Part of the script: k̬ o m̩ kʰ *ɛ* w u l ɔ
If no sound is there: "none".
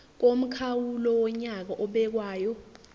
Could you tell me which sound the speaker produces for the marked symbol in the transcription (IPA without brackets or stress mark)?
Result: a